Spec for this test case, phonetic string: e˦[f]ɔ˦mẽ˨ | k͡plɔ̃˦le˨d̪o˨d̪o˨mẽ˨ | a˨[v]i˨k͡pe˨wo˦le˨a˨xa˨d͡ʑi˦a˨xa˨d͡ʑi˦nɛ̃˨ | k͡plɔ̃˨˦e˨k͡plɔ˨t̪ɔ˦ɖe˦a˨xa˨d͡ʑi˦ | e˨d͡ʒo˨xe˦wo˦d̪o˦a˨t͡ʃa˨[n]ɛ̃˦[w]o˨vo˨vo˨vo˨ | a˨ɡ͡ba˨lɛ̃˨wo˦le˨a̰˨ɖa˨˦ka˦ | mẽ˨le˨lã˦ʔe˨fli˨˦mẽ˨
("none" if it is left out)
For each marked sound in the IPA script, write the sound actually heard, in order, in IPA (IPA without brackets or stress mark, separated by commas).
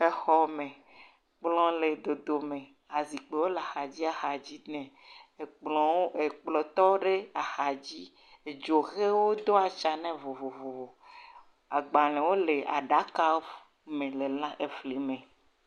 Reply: x, z, n, v